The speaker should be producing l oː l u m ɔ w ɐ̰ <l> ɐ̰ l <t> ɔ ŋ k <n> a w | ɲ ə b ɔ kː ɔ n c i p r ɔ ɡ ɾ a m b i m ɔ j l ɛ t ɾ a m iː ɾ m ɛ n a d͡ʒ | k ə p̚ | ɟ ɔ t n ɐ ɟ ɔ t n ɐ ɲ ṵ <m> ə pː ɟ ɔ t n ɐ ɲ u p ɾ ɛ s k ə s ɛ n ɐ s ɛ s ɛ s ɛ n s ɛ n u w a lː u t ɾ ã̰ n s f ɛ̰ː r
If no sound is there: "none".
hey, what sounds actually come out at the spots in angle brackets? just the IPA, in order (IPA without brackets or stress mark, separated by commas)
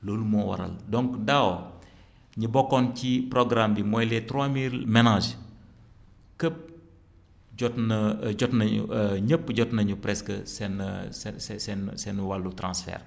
ɾ, d, d, ɲ